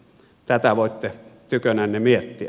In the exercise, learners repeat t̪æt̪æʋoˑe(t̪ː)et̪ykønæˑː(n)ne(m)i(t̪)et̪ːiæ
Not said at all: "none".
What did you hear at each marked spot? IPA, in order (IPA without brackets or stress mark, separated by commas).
t̪ː, n, m, none